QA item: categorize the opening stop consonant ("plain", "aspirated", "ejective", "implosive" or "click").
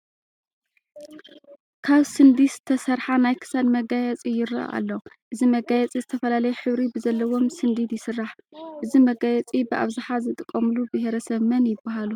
aspirated